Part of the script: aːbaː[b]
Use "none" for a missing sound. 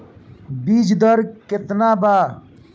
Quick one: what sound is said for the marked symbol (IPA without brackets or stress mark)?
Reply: none